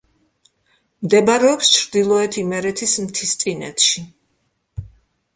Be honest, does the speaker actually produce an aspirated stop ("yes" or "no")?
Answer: yes